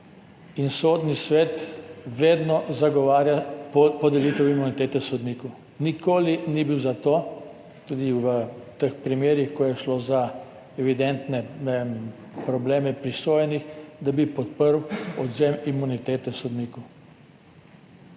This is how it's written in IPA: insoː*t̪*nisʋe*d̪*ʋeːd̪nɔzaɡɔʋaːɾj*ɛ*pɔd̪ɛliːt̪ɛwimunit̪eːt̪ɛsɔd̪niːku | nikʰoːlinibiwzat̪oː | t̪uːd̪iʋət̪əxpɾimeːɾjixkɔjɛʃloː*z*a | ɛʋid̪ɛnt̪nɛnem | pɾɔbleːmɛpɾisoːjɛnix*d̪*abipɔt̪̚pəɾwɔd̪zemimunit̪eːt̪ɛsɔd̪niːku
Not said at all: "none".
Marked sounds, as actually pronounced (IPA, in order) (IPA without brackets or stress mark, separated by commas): d̪, t̪, a, z, d̪